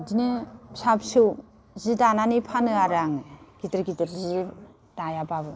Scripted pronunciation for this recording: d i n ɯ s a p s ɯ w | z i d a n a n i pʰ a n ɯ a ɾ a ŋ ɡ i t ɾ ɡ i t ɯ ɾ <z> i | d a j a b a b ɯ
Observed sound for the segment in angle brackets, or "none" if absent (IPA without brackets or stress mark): z